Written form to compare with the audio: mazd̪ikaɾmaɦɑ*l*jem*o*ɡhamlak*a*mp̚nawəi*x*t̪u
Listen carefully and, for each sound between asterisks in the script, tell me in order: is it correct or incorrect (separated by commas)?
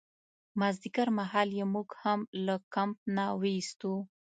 correct, incorrect, correct, incorrect